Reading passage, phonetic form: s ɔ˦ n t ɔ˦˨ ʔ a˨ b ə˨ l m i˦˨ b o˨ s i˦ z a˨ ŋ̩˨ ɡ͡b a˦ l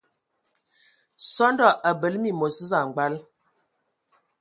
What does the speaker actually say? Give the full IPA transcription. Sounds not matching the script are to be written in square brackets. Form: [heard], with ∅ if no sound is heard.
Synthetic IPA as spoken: s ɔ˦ n [d] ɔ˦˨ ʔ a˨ b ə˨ l m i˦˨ [m] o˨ s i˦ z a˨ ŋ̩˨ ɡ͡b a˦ l